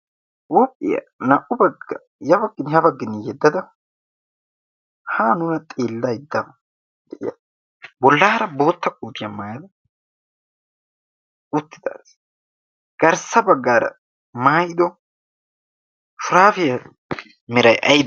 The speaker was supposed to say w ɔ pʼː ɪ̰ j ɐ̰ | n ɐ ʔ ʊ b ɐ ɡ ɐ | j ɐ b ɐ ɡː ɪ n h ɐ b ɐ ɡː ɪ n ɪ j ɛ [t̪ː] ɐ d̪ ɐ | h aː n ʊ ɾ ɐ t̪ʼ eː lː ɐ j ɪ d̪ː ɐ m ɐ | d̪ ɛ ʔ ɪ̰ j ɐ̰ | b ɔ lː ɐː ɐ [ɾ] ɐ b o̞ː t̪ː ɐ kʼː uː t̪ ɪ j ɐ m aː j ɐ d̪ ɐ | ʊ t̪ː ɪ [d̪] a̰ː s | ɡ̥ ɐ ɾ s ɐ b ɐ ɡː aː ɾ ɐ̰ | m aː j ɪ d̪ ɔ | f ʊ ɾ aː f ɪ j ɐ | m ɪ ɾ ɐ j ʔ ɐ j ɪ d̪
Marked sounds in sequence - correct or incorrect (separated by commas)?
incorrect, correct, correct